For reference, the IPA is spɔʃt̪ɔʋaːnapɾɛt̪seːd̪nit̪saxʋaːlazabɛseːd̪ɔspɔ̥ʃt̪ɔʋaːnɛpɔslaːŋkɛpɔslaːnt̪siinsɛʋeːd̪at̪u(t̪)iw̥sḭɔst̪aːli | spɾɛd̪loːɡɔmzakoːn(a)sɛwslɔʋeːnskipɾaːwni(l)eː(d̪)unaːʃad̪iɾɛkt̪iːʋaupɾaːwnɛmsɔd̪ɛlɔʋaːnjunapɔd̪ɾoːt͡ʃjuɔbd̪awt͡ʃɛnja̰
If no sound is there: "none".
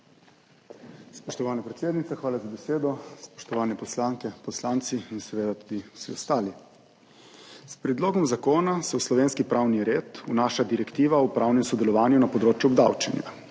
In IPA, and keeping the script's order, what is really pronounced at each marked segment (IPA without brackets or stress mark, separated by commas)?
d̪, a, ɾ, t̪